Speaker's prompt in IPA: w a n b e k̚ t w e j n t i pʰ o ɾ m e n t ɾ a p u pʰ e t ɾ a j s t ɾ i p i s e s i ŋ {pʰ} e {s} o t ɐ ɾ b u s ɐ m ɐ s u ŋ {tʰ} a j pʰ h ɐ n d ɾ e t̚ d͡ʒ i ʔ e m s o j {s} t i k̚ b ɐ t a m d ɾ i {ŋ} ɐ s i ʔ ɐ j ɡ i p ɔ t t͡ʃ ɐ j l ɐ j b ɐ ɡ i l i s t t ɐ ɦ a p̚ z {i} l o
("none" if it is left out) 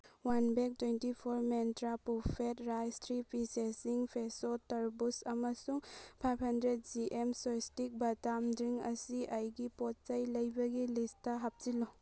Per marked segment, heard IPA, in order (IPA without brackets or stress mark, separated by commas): pʰ, s, pʰ, s, ŋ, i